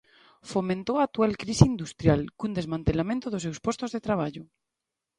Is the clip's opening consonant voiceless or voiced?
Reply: voiceless